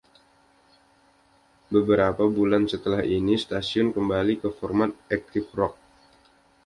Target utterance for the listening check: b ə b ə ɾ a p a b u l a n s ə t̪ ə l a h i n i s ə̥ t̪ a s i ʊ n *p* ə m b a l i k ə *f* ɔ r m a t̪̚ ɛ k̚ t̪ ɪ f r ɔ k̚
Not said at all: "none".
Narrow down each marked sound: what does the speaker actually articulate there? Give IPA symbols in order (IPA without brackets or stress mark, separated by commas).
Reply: k, f